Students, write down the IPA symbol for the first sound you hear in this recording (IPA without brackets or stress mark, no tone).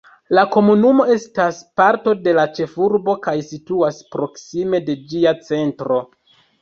l